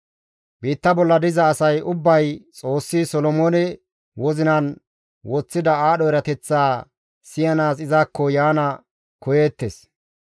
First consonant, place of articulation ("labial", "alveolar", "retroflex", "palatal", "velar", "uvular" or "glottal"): labial